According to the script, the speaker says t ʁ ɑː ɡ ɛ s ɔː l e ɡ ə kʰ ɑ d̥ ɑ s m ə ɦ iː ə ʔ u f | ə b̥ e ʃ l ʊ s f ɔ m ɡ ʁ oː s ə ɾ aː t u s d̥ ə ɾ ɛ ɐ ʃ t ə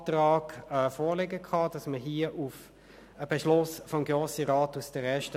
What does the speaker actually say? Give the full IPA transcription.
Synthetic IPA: t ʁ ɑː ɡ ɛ f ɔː l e ɡ ə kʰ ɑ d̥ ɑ s m ə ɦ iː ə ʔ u f | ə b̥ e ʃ l ʊ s f ɔ m ɡ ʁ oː s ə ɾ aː t u s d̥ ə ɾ ɛ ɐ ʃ t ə